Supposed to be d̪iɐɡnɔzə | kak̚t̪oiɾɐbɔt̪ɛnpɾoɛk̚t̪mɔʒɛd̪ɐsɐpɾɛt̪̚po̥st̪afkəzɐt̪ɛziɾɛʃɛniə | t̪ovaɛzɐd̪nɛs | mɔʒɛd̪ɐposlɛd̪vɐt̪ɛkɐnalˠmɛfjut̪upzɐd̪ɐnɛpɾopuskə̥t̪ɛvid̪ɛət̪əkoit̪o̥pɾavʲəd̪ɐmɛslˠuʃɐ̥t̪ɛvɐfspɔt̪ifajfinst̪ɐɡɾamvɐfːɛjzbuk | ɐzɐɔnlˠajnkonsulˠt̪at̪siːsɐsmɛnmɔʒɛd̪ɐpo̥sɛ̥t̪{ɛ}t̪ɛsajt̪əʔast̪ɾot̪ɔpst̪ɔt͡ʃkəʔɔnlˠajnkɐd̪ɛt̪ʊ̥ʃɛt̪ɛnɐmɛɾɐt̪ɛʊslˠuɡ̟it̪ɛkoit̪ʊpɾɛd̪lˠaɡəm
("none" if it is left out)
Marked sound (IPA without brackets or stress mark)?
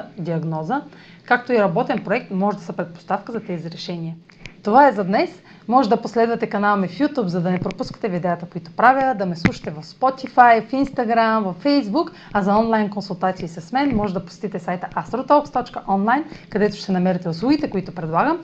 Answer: i